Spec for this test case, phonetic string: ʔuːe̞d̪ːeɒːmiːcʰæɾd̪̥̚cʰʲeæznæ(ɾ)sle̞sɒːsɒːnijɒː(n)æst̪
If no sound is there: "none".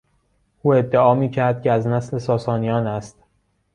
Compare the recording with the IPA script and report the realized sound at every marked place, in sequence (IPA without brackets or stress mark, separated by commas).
none, n